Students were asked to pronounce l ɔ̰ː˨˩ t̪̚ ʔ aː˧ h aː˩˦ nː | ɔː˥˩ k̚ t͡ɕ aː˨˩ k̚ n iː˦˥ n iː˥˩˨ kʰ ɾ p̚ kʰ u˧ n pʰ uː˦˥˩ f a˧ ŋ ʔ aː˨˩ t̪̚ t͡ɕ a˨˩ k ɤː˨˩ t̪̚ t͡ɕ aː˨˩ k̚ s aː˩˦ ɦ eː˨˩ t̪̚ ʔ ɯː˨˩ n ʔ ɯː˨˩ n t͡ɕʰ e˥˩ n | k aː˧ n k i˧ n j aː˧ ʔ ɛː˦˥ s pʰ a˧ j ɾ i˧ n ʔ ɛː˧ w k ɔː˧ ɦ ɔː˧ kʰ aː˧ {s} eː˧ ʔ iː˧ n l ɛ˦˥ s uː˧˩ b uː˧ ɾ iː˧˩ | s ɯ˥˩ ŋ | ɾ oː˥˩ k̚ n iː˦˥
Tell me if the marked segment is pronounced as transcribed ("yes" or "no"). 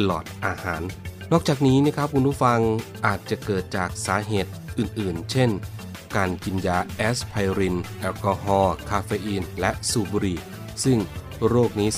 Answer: no